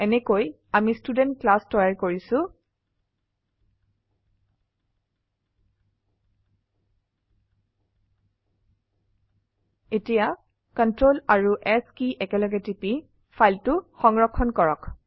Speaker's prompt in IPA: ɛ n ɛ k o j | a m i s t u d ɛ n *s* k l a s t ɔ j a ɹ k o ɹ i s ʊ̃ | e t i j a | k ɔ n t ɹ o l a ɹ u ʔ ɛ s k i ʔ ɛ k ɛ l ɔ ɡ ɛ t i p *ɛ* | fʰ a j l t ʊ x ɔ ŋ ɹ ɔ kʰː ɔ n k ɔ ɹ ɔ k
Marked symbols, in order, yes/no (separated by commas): no, no